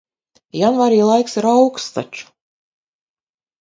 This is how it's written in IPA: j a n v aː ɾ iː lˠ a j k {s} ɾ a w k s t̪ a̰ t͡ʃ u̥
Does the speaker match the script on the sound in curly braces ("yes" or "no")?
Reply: yes